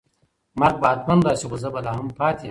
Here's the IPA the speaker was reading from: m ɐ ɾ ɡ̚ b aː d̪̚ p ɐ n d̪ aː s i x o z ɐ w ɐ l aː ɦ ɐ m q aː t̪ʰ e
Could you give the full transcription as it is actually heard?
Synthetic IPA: m ɐ ɾ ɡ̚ b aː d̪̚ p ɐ n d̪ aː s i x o z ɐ b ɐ l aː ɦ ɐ m p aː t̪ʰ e